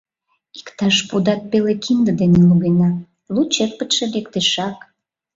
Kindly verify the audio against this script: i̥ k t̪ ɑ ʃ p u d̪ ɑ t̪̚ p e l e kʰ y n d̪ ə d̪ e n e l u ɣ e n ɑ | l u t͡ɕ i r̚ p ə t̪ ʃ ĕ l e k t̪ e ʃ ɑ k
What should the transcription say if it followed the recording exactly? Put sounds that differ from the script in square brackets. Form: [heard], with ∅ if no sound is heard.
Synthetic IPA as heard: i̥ k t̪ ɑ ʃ p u d̪ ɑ t̪̚ p e l e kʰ [i] n d̪ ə d̪ e n e l u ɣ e n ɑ | l u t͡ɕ [e] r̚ p ə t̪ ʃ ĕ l e k t̪ e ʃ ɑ k